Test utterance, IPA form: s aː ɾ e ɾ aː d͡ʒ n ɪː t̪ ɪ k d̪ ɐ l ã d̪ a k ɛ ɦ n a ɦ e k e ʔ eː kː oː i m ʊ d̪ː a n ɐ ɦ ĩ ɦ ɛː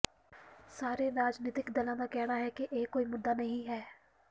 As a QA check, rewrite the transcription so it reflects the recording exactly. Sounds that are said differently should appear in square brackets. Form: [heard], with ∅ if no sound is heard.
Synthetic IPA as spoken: s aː ɾ e ɾ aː d͡ʒ n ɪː t̪ ɪ k d̪ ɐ l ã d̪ a k ɛ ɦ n a ɦ [ɛ] k e ʔ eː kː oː i m ʊ d̪ː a n ɐ ɦ ĩ ɦ ɛː